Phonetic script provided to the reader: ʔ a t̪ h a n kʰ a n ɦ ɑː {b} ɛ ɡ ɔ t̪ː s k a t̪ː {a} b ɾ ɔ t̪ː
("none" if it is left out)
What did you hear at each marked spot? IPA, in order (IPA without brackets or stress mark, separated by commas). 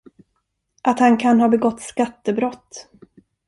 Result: b, ə